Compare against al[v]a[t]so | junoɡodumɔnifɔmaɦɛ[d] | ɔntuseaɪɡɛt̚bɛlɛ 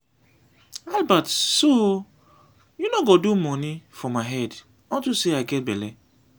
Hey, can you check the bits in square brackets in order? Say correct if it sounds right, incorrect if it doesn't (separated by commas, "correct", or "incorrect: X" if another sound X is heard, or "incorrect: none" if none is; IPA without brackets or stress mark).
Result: incorrect: b, correct, correct